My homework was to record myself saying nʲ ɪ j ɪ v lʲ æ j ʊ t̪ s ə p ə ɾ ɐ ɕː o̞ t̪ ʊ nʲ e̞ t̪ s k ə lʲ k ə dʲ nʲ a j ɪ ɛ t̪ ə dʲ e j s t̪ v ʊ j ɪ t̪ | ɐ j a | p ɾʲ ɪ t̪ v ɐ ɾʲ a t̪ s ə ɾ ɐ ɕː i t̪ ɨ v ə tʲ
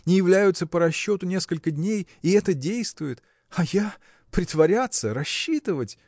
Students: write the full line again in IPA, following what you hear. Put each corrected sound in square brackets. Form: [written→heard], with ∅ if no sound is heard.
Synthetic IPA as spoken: nʲ ɪ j ɪ v lʲ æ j ʊ t̪ s ə p ə ɾ ɐ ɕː o̞ t̪ ʊ nʲ e̞ [t̪→∅] s k ə lʲ k ə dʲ nʲ [a→e] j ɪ ɛ t̪ ə dʲ e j s t̪ v ʊ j ɪ t̪ | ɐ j a | p ɾʲ ɪ t̪ v ɐ ɾʲ a t̪ s ə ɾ ɐ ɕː i t̪ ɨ v ə tʲ